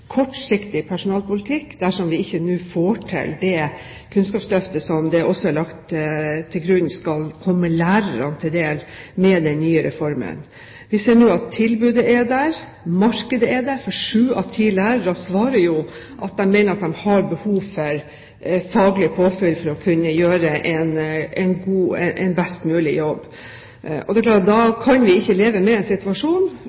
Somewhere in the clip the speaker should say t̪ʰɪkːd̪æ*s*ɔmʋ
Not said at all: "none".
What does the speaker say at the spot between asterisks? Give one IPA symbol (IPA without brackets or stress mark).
ʂ